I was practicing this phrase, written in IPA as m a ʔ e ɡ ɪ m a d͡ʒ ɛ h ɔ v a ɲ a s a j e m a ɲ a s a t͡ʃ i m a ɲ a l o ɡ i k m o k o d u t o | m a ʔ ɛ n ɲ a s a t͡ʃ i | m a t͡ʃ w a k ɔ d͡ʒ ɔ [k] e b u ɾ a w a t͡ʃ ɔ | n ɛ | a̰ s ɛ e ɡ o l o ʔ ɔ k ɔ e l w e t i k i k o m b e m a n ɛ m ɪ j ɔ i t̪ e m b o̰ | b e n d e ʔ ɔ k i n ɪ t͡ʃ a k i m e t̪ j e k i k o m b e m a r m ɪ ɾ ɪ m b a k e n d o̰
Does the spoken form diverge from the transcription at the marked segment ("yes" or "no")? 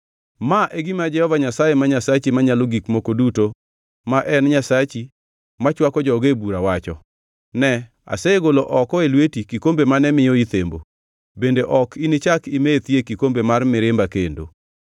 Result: yes